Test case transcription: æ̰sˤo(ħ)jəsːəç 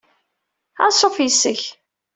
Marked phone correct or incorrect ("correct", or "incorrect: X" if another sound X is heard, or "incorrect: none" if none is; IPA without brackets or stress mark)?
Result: incorrect: f